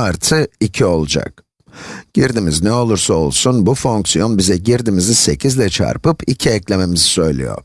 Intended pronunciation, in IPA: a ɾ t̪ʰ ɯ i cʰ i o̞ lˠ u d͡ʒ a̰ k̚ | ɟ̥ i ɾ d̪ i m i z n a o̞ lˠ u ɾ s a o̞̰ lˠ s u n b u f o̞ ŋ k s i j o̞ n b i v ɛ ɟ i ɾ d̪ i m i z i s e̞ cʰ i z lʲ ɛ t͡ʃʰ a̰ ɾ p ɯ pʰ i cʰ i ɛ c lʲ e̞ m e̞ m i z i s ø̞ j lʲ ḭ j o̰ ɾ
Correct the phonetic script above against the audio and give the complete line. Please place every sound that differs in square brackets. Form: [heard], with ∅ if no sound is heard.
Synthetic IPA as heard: a ɾ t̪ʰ ɯ i cʰ i o̞ lˠ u d͡ʒ a̰ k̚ | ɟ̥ i ɾ d̪ i m i z n [ɛ] o̞ lˠ u ɾ s a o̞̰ lˠ s u n b u f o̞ ŋ k s i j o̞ n b i [z] ɛ ɟ i ɾ d̪ i m i z i s e̞ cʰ i z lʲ ɛ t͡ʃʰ a̰ ɾ p ɯ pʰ i cʰ i ɛ c lʲ e̞ m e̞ m i z i s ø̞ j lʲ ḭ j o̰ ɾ

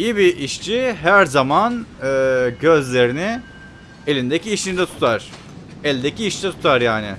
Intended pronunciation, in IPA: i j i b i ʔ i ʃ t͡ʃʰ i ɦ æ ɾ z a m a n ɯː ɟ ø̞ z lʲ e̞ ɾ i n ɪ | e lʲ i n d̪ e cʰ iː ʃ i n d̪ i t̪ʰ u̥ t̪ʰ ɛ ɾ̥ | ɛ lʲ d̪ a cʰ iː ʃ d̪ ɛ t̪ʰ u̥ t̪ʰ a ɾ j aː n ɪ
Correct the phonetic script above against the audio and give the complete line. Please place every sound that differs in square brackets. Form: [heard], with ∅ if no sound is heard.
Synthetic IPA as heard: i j i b i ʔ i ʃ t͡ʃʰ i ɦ æ ɾ z a m a n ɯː ɟ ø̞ z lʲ e̞ ɾ i n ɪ | e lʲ i n d̪ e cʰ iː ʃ i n d̪ [ɛ] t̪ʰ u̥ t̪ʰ [a] ɾ̥ | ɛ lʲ d̪ [e] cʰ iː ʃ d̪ ɛ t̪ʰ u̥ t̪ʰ a ɾ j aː n ɪ

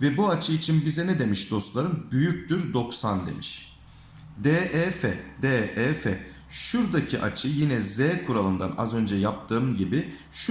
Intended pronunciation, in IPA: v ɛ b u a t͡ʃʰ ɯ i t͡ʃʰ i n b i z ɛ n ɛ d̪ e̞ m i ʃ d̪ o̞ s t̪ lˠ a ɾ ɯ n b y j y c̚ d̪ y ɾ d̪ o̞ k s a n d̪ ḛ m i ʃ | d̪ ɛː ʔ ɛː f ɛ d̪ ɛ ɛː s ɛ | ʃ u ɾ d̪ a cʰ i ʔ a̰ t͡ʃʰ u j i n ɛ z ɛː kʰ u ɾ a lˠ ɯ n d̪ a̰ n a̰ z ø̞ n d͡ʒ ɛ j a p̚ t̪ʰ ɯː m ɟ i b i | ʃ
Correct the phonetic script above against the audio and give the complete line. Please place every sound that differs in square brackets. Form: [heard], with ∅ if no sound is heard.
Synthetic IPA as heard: v ɛ b u a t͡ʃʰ ɯ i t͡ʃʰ i n b i z ɛ n ɛ d̪ e̞ m i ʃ d̪ o̞ s t̪ lˠ a ɾ ɯ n b y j y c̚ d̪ y ɾ d̪ o̞ k s a n d̪ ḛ m i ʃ | d̪ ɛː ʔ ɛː f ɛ d̪ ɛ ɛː [f] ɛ | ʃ u ɾ d̪ a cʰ i ʔ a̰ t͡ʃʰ [ɯ] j i n ɛ z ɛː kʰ u ɾ a lˠ ɯ n d̪ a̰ n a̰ z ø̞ n d͡ʒ ɛ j a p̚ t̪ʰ ɯː m ɟ i b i | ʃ

